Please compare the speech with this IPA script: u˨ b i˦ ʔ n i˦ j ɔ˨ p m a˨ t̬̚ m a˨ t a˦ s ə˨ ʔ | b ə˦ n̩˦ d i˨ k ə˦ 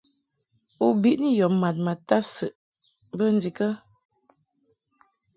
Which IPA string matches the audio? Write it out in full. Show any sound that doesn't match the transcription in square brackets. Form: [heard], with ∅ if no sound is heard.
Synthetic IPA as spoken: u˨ b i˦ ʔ n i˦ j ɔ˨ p m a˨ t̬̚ m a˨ t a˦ s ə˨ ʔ | b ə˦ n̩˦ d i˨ k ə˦